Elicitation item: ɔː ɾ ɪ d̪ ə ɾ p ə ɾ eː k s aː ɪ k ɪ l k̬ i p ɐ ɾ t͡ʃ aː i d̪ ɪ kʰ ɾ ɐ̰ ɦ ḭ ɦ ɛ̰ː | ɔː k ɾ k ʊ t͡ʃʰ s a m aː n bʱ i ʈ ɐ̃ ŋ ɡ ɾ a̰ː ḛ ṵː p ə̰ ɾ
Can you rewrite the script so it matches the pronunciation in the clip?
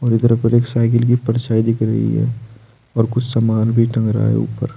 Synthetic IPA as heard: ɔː ɾ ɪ d̪ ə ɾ p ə ɾ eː k s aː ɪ k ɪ l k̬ i p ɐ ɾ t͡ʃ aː i d̪ ɪ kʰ ɾ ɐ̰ ɦ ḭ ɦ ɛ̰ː | ɔː ɾ k ʊ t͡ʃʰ s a m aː n bʱ i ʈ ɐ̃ ŋ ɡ ɾ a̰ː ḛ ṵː p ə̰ ɾ